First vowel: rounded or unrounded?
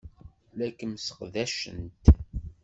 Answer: unrounded